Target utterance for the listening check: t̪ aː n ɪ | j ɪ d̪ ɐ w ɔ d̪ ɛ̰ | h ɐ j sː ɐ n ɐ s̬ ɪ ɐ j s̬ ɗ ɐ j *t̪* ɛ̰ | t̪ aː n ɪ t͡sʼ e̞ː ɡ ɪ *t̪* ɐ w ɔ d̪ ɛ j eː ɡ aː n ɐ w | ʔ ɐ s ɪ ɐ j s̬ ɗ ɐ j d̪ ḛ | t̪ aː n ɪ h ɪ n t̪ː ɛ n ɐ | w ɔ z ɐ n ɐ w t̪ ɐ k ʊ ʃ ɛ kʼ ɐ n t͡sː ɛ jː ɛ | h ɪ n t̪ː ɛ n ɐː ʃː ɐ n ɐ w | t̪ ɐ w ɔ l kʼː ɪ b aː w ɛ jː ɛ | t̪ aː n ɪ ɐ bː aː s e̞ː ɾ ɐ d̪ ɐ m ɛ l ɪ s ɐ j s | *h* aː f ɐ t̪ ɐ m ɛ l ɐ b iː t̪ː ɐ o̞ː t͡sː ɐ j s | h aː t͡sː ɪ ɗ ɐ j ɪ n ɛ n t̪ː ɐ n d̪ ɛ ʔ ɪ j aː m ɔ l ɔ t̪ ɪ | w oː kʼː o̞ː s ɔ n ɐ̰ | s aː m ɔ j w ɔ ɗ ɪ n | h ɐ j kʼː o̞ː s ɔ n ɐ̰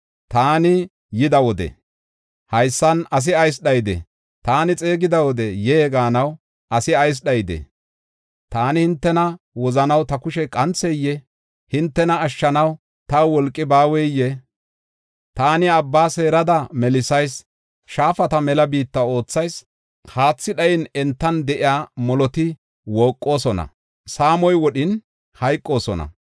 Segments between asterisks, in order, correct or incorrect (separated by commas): incorrect, incorrect, incorrect